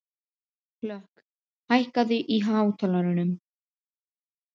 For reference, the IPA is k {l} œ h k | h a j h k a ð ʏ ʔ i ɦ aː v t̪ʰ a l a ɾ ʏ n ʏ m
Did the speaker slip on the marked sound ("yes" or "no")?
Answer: no